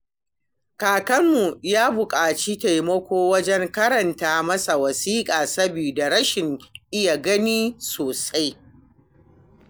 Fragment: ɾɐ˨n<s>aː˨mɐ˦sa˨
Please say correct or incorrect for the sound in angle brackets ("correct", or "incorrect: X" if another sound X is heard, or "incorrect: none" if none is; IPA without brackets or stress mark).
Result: incorrect: t